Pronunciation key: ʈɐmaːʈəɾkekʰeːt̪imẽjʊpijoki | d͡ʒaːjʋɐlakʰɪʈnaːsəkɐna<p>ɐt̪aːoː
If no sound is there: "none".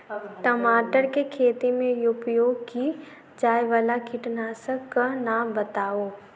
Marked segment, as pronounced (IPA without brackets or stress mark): b